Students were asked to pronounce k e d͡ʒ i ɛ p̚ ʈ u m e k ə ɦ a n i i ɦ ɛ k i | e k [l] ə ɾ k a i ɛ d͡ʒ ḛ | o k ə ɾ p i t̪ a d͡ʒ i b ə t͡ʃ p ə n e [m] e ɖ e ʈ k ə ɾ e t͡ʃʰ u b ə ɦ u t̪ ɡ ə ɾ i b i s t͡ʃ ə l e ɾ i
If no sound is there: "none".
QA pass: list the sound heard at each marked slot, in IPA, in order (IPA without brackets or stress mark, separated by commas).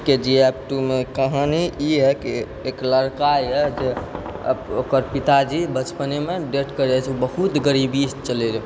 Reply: l, m